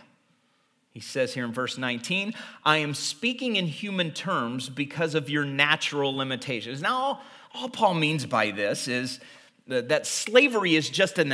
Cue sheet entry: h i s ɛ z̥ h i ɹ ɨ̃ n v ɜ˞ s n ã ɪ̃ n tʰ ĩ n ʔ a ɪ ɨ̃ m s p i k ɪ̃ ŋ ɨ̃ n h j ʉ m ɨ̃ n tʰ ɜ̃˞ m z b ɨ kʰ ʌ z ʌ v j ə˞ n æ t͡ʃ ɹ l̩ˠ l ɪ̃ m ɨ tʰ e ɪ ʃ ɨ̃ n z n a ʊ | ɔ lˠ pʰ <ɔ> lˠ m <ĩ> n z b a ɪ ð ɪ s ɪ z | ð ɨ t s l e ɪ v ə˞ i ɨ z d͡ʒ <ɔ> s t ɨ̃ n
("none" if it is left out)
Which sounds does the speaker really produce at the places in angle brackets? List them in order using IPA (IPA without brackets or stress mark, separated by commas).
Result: ɔ, ĩ, ʌ